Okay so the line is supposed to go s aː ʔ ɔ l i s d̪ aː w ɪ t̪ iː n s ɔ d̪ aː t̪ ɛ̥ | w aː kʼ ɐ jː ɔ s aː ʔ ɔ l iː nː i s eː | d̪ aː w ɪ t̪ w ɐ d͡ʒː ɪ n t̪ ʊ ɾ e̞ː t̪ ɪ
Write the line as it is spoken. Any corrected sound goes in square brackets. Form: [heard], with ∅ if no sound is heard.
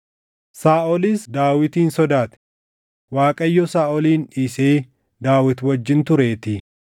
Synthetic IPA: s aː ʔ ɔ l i s d̪ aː w ɪ t̪ iː n s ɔ d̪ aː t̪ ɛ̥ | w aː kʼ ɐ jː ɔ s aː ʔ ɔ l iː [n] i s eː | d̪ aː w ɪ t̪ w ɐ d͡ʒː ɪ n t̪ ʊ ɾ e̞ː t̪ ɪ